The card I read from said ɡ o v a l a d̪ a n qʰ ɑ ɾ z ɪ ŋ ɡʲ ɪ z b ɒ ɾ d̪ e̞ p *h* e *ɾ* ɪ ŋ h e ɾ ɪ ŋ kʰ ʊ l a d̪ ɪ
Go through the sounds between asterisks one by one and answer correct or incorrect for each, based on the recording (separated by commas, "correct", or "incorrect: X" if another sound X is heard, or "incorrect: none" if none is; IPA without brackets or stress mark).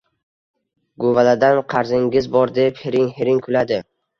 correct, correct